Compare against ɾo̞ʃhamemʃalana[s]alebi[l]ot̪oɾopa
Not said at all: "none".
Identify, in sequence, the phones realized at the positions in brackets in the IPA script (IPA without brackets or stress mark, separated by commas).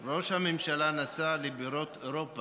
s, ɾ